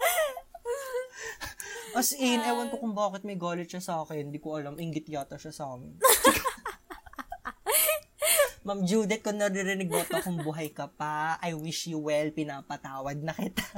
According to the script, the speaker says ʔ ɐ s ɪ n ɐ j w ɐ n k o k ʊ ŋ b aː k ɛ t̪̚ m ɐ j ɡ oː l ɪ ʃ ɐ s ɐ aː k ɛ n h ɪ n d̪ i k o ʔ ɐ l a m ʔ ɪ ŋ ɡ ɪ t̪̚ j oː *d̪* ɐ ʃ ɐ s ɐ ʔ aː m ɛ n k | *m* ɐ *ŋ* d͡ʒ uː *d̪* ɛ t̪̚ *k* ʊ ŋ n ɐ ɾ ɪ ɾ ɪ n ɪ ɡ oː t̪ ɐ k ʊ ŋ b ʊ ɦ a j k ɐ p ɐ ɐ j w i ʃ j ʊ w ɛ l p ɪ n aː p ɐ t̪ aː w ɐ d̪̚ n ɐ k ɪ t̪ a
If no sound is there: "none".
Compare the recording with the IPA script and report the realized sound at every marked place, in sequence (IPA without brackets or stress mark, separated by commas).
t̪, m, m, d̪, k